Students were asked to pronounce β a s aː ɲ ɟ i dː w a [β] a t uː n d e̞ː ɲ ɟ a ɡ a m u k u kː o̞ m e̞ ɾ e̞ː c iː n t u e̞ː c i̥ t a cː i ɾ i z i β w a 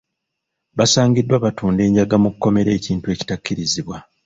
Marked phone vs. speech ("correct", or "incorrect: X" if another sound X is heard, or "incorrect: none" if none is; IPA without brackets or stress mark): correct